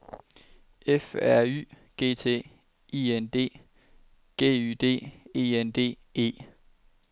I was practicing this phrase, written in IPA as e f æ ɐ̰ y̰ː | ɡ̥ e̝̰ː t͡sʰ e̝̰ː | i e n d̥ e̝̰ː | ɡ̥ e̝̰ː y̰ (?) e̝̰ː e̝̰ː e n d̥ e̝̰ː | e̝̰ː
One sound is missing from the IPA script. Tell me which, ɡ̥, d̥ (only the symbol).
d̥